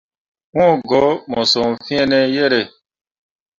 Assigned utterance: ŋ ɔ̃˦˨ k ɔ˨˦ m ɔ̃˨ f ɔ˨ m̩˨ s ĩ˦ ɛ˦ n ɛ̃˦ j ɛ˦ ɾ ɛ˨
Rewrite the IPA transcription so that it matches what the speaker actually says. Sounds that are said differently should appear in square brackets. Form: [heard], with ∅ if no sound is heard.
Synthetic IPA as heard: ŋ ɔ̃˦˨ [ɡ] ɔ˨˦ m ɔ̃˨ [s] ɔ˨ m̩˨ [f] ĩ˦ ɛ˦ n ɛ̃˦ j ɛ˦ ɾ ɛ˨